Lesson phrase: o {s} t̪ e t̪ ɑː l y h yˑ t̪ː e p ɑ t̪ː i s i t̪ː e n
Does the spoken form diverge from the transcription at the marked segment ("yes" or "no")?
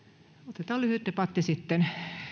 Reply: yes